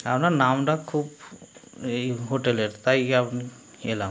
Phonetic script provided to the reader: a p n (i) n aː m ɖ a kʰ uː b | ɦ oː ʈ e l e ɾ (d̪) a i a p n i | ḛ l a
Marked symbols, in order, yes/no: no, no

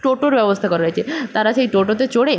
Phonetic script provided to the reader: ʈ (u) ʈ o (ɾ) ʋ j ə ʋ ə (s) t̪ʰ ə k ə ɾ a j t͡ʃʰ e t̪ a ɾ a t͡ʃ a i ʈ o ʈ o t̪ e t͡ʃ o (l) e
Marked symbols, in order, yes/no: no, yes, yes, no

